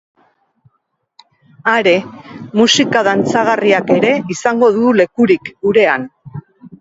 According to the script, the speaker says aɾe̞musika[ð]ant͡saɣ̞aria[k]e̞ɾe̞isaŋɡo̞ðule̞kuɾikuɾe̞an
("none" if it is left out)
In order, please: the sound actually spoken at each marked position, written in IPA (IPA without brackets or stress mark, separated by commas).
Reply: ð, k